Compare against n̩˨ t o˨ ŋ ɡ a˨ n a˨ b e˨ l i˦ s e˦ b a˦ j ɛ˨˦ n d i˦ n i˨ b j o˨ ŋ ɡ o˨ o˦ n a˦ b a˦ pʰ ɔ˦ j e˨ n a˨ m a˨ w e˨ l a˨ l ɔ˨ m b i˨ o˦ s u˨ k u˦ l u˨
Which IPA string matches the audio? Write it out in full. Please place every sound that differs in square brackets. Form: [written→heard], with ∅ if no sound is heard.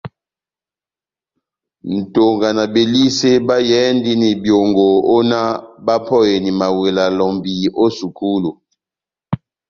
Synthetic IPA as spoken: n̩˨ t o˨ ŋ ɡ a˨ n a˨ b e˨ l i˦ s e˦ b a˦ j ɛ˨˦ n d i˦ n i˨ b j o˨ ŋ ɡ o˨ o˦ n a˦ b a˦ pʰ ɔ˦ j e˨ n [a˨→i˨] m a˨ w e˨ l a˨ l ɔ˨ m b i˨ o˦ s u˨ k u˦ l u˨